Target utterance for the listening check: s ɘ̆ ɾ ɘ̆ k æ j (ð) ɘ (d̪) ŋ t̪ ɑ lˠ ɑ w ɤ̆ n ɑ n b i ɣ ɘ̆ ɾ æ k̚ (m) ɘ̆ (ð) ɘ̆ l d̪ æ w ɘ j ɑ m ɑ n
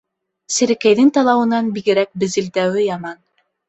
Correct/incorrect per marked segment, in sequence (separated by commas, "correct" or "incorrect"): correct, incorrect, incorrect, incorrect